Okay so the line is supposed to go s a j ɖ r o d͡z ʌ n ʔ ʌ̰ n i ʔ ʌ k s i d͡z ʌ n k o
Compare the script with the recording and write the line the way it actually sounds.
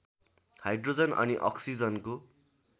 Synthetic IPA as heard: h a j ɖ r o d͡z ʌ n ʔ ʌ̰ n i ʔ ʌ k s i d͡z ʌ n k o

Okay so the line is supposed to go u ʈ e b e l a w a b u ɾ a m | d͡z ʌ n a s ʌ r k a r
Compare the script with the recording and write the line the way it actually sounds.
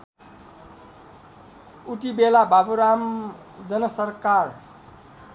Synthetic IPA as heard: u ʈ i b e l a b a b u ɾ a m | d͡z ʌ n ʌ s ʌ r k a r

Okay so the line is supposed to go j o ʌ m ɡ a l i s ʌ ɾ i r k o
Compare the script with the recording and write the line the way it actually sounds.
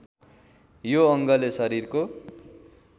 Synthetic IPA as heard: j o ʌ ŋ ɡ ʌ l e s ʌ ɾ i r k o

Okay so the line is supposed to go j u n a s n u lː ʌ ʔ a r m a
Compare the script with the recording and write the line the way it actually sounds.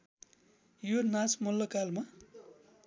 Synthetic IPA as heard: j o n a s m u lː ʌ k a l m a

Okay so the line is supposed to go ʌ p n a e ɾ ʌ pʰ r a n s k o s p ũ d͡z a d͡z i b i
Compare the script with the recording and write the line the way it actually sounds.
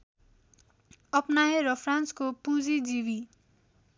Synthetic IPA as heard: ʌ p n a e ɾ ʌ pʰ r a n s k o p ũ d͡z i d͡z i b i

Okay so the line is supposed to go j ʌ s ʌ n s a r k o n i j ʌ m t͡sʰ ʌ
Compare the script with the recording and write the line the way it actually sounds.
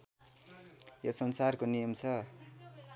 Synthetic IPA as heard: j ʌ s ʌ n s a r k o n i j ʌ m t͡sʰ ʌ

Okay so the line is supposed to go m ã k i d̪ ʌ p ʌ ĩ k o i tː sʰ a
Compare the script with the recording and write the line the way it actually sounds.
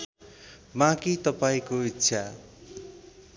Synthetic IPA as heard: m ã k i t̪ ʌ p a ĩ k o i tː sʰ a

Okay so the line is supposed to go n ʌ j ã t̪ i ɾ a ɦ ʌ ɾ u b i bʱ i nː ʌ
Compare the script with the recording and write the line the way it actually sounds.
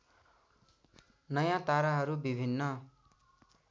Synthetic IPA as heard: n ʌ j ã t̪ a ɾ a ɦ ʌ ɾ u b i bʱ i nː ʌ

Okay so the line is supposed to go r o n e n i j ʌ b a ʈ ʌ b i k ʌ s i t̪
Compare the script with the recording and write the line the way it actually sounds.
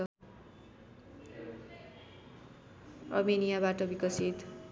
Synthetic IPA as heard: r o m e n i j a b a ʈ ʌ b i k ʌ s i t̪

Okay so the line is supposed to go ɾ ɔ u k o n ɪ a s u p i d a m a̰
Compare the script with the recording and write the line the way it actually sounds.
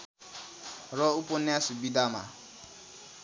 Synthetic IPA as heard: ɾ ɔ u p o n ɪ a s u b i d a m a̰

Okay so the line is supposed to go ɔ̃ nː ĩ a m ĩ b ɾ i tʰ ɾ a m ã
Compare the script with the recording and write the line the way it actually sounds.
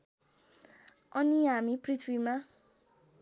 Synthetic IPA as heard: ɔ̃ n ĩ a m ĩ p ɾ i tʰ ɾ i m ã

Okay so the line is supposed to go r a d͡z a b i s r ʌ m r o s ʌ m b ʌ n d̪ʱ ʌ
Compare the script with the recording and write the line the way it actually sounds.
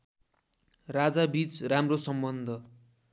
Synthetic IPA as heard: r a d͡z a b i t͡s r a m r o s ʌ m b ʌ n d̪ʱ ʌ

